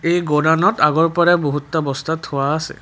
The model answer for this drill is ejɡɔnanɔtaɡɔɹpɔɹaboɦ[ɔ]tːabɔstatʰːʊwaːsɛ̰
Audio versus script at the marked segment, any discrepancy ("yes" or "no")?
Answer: yes